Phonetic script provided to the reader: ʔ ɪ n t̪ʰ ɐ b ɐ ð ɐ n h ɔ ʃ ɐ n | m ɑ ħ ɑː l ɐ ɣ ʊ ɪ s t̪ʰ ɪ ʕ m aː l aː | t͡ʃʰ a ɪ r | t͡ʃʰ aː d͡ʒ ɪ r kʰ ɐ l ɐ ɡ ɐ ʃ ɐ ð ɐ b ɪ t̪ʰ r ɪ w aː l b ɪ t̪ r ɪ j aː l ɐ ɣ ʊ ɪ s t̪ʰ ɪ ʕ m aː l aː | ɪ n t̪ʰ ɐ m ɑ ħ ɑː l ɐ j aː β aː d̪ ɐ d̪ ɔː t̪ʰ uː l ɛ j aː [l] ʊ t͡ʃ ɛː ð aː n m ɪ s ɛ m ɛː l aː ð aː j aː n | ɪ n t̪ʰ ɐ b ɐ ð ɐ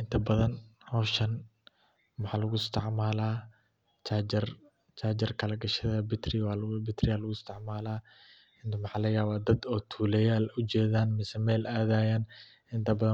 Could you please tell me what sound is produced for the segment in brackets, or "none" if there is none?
l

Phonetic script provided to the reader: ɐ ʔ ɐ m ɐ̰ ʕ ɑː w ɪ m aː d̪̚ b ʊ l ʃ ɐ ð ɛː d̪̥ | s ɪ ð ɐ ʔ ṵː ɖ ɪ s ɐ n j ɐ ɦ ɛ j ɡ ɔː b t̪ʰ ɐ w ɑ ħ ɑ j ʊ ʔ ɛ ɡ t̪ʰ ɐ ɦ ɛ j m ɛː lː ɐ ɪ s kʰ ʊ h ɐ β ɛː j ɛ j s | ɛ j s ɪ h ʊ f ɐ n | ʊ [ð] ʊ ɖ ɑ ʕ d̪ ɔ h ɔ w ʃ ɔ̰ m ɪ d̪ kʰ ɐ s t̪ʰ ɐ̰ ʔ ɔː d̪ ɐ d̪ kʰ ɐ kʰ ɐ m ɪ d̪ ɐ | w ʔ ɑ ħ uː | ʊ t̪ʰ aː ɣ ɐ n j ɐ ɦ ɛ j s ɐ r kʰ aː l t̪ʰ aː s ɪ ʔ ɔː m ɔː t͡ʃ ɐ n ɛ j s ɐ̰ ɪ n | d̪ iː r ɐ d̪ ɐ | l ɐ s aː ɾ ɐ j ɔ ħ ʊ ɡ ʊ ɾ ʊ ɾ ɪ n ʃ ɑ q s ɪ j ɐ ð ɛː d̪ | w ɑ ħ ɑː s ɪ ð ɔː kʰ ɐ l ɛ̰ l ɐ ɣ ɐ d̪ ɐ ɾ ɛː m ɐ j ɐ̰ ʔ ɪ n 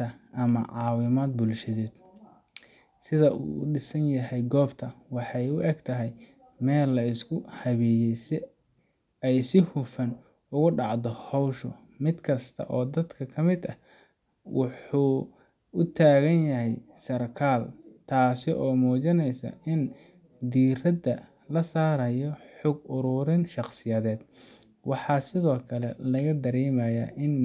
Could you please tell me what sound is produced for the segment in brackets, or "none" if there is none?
ɣ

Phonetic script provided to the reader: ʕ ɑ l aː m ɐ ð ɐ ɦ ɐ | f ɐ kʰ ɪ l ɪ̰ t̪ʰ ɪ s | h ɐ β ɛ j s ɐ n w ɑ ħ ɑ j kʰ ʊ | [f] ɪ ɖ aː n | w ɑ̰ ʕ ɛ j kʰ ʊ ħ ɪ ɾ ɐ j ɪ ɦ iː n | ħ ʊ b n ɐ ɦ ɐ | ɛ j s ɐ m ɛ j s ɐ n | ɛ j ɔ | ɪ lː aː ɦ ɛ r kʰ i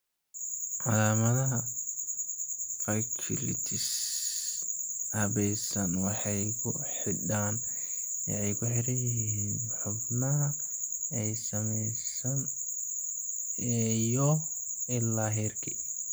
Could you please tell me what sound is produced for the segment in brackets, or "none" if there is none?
ħ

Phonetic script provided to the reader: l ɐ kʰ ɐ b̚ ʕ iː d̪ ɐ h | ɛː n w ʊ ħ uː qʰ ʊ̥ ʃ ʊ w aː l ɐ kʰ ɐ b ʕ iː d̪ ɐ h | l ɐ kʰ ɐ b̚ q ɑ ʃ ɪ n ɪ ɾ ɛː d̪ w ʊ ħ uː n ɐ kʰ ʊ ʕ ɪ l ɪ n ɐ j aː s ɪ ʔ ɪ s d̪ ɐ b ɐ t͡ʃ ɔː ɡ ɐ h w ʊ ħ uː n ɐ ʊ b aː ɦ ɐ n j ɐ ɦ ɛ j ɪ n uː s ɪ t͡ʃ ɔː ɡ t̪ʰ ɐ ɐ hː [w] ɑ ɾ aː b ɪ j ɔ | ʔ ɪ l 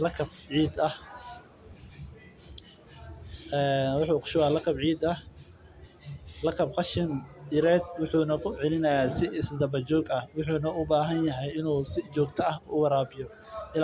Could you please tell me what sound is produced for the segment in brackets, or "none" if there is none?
w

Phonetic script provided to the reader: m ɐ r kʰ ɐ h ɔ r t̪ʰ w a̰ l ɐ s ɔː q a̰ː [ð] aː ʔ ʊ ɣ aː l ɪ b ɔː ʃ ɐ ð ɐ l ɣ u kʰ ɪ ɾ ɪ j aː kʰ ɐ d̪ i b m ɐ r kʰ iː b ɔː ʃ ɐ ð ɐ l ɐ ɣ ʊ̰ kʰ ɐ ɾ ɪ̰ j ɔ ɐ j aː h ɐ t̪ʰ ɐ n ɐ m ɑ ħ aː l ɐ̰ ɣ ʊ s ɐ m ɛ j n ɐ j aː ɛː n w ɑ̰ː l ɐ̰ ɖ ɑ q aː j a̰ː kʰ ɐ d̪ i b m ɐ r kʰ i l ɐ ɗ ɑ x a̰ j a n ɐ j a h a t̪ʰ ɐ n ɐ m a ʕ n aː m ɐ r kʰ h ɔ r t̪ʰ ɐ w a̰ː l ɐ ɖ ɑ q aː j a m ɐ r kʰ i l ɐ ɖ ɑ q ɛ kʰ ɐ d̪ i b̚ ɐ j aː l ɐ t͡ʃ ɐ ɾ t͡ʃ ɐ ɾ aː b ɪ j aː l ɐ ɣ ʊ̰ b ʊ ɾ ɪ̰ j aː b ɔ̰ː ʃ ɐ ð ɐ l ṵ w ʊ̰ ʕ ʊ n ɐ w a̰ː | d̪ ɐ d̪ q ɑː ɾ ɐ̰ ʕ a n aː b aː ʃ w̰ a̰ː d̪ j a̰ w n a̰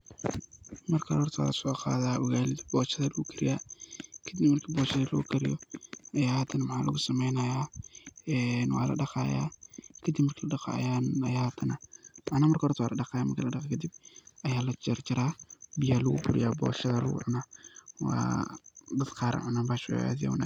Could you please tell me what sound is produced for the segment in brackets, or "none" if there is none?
ð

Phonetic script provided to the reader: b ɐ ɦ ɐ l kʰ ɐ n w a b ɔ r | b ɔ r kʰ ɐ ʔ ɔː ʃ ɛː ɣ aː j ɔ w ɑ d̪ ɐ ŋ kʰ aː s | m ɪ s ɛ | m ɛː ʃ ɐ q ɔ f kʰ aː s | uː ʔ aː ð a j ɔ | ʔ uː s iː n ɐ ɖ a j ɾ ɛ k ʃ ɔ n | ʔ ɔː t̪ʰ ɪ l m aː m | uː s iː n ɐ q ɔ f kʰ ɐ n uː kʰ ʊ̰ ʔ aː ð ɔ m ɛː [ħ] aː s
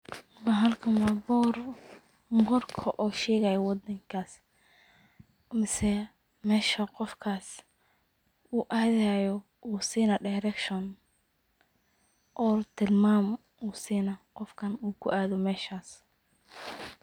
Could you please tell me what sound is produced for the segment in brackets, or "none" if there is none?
ʃ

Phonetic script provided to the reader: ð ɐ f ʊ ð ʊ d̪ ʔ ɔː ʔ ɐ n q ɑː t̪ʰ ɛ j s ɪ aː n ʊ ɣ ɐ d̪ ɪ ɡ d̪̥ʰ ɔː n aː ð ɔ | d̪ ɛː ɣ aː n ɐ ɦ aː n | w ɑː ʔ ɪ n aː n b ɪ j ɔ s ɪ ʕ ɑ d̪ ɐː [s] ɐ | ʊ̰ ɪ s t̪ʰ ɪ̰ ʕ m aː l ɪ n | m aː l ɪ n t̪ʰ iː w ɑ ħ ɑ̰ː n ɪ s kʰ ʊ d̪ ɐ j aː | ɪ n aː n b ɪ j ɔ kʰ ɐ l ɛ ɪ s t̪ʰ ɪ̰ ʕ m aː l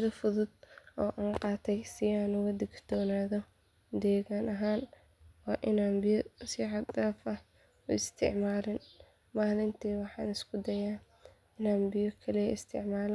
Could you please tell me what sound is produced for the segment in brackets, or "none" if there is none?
f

